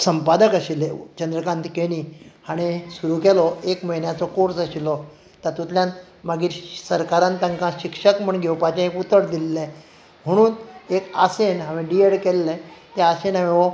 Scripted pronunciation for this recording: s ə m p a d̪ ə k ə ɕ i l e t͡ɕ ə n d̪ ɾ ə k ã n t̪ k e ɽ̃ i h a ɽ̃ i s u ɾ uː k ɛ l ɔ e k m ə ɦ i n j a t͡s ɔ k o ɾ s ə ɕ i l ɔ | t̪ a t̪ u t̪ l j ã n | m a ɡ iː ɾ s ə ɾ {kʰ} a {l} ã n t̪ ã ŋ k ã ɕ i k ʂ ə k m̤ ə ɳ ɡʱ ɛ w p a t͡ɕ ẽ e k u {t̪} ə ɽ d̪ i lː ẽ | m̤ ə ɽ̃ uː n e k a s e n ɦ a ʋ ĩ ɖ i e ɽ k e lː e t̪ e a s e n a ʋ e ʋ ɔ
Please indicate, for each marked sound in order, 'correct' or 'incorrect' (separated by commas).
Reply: incorrect, incorrect, correct